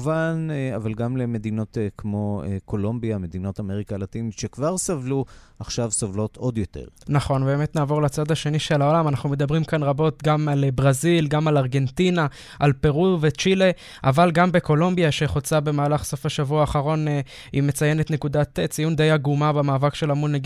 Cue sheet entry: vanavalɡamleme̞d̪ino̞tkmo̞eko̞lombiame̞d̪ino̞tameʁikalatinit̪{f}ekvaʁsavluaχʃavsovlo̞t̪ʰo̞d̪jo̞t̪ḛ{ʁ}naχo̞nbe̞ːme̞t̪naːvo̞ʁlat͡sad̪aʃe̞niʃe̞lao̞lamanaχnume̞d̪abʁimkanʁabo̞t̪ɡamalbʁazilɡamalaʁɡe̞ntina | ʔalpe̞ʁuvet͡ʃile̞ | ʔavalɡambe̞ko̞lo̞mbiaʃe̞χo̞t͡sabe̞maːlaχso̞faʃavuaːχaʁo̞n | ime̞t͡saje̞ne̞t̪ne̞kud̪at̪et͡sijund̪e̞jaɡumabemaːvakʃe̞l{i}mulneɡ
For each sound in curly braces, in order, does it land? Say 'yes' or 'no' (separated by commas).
no, yes, no